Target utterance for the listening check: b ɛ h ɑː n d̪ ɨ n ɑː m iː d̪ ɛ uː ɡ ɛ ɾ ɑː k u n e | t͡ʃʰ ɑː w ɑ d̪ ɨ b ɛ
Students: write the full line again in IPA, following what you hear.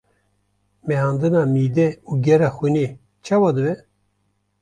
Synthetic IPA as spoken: m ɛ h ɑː n d̪ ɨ n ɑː m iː d̪ ɛ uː ɡ ɛ ɾ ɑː x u n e | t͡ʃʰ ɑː w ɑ d̪ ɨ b ɛ